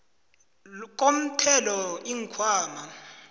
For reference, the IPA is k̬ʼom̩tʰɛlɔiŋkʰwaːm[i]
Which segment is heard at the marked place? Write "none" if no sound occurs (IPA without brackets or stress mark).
a